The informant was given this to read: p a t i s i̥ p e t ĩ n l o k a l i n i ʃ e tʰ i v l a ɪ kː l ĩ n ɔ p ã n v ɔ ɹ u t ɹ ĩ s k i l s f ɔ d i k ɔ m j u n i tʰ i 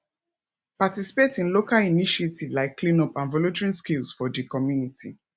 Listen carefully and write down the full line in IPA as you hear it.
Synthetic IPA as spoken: p a t i s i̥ p e t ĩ n l o k a l i n i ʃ e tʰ i v l a ɪ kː l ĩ n ɔ p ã n v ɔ l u t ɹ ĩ s k i l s f ɔ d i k ɔ m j u n i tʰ i

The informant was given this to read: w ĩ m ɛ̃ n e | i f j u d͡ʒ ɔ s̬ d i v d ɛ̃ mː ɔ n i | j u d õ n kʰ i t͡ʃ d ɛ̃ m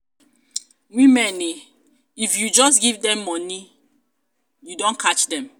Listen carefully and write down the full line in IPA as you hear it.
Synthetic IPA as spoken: w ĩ m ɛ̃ n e | i f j u d͡ʒ ɔ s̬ ɡ i v d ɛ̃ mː ɔ n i | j u d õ n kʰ a t͡ʃ d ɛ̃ m

